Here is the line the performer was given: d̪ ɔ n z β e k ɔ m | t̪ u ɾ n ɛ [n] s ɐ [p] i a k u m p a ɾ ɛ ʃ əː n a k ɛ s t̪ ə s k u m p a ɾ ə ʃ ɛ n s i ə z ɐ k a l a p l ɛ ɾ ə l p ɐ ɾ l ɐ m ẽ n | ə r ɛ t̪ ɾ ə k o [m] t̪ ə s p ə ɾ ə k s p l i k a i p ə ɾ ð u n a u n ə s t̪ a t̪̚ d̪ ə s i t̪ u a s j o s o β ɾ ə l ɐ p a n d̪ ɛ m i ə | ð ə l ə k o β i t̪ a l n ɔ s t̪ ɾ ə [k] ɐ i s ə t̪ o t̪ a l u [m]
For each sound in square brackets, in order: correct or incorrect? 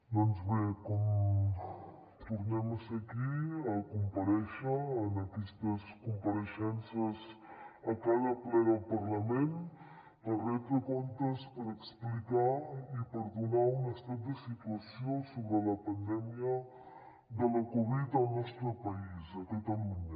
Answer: incorrect, incorrect, incorrect, incorrect, incorrect

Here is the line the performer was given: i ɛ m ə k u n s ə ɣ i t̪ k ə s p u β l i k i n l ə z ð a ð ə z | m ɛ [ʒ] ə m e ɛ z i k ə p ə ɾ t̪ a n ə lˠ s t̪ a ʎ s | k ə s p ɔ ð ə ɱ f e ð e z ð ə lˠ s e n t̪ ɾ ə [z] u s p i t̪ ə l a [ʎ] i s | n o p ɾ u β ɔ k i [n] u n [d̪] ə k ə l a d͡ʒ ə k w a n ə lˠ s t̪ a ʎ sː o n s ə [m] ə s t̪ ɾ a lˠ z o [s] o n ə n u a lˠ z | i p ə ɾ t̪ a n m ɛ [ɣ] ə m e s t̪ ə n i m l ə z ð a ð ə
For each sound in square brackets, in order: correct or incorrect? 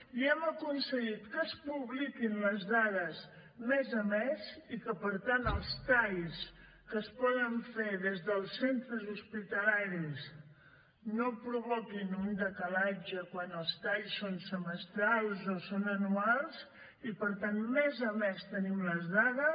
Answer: incorrect, correct, incorrect, correct, correct, correct, correct, incorrect

